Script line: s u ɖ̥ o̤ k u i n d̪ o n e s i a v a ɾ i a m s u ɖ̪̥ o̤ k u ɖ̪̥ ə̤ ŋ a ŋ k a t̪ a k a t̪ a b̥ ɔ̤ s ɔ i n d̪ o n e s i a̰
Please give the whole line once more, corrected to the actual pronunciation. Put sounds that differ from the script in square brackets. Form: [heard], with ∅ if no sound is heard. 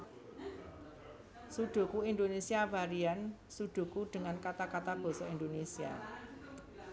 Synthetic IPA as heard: s u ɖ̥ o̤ k u i n d̪ o n e s i a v a ɾ i a [n] s u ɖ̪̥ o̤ k u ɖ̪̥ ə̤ ŋ a [n] k a t̪ a k a t̪ a b̥ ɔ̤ s ɔ i n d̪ o n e s i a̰

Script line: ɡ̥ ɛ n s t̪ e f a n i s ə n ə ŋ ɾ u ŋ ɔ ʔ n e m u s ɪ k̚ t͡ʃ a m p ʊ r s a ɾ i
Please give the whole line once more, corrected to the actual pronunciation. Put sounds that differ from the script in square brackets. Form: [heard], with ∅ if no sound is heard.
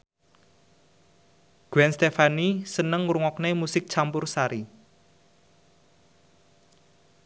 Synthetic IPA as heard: ɡ̥ ɛ n s t̪ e f a n i s ə n ə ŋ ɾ u ŋ ɔ [k] n e m u s ɪ k̚ t͡ʃ a m p ʊ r s a ɾ i

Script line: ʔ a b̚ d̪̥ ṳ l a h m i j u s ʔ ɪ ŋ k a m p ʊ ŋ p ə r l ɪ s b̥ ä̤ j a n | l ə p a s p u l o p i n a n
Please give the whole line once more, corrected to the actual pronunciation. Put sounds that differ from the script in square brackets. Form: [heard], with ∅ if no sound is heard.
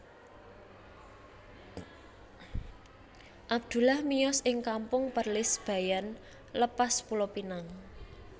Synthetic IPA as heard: ʔ a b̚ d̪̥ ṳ l a h m i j [ɔ] s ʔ ɪ ŋ k a m p ʊ ŋ p ə r l ɪ s b̥ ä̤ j a n | l ə p a s p u l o p i n a [ŋ]

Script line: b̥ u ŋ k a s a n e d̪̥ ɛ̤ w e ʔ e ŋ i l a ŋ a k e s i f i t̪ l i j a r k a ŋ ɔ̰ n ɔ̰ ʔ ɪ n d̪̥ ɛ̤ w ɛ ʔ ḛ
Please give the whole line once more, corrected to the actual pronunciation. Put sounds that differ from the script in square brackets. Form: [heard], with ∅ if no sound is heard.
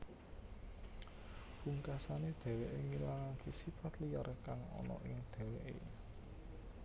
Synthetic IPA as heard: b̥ u ŋ k a s a n e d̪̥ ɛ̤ w e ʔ e ŋ i l a ŋ a k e s i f [a] t̪ l i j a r k a ŋ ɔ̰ n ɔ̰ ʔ ɪ [ŋ] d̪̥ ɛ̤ w [e] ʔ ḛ

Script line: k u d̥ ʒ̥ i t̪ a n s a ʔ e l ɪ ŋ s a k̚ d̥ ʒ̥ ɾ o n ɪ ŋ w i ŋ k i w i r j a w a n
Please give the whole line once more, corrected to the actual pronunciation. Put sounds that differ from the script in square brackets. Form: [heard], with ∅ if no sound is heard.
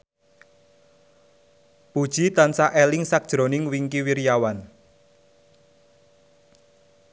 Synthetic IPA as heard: [p] u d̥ ʒ̥ i t̪ a n s a ʔ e l ɪ ŋ s a k̚ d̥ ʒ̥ ɾ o n ɪ ŋ w i ŋ k i w i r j a w a n

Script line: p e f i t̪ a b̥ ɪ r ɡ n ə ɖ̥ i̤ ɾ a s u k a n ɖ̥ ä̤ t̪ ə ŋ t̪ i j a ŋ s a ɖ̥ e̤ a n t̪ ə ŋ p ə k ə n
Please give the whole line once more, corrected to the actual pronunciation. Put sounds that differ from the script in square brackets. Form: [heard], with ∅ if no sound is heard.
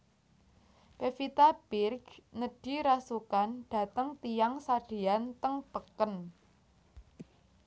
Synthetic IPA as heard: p e f i t̪ a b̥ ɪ r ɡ n ə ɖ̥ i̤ ɾ a s u k a n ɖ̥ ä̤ t̪ ə ŋ t̪ i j a ŋ s a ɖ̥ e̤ a n t̪ ə ŋ p ə k ə n

